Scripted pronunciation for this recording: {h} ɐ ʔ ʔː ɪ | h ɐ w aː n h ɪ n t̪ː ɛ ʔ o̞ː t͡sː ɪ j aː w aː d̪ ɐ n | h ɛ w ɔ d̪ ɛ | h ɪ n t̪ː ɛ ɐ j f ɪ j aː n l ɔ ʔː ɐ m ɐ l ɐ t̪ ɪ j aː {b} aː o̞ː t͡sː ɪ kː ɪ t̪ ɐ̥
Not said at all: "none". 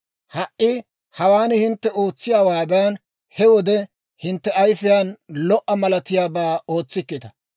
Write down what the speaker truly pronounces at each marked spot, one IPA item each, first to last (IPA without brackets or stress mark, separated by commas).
h, b